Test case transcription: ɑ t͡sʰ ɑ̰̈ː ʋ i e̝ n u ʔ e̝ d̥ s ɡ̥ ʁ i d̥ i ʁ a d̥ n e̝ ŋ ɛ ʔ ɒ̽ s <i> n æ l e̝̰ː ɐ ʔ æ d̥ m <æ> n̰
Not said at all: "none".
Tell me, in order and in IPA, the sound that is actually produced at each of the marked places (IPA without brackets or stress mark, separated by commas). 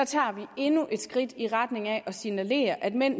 i, e